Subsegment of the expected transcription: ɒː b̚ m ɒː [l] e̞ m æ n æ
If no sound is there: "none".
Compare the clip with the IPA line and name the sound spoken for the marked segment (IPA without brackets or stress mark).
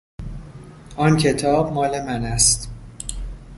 l